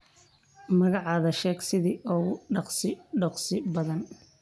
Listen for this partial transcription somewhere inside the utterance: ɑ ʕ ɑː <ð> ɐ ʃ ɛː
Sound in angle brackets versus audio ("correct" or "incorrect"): correct